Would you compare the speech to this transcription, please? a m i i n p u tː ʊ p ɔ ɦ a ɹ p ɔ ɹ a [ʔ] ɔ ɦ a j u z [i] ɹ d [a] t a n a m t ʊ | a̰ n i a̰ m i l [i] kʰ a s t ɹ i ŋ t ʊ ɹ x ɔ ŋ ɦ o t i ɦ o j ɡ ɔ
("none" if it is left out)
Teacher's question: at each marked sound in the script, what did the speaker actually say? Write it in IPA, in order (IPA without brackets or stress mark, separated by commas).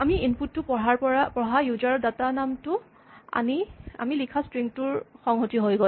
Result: p, a, a, i